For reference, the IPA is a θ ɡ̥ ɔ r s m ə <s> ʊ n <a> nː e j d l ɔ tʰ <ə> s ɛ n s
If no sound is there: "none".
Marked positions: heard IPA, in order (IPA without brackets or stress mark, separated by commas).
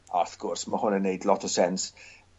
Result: h, ə, ə